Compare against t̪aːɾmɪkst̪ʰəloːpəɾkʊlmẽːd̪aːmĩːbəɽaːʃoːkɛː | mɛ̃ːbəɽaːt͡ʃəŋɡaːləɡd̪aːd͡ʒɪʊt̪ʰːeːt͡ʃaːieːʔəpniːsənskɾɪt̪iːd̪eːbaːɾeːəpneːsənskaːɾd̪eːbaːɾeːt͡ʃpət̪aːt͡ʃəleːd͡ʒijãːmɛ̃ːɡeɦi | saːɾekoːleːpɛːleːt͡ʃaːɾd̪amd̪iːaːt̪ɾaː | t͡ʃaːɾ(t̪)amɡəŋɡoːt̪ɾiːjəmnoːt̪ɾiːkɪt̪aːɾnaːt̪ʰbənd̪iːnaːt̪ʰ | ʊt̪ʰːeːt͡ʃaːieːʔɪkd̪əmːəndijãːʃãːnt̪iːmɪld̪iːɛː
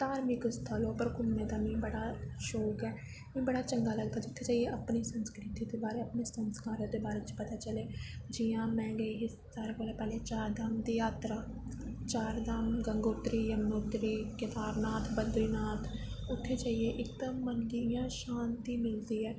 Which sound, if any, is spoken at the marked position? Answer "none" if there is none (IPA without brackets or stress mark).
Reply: d̪